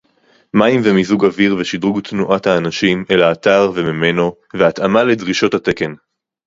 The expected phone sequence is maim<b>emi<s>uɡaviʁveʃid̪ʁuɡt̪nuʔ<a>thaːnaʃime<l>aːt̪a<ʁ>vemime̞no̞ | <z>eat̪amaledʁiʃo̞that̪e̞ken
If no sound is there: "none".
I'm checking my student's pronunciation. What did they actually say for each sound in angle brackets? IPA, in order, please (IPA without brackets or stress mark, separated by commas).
v, z, a, l, ʁ, v